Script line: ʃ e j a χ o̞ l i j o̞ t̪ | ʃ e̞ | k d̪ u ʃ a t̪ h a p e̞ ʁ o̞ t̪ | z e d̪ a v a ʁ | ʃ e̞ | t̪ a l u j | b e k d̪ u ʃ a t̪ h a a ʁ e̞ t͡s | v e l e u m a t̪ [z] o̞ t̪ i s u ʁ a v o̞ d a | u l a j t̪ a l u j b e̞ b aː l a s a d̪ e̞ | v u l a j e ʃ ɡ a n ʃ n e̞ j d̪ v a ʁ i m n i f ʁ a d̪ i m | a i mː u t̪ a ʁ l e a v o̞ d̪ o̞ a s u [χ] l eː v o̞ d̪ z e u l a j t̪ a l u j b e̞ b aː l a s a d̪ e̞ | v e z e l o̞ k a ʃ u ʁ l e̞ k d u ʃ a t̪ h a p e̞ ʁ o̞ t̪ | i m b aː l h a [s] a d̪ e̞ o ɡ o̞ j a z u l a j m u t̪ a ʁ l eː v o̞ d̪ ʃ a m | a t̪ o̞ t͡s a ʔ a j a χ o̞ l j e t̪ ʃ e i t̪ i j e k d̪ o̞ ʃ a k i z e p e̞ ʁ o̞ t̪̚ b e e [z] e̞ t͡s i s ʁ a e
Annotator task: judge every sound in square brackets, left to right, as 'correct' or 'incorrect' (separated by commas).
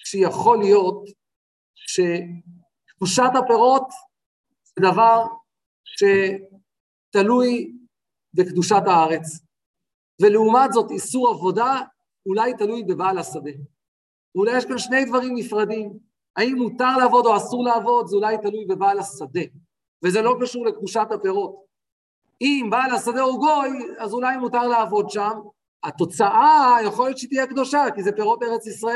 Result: correct, incorrect, correct, incorrect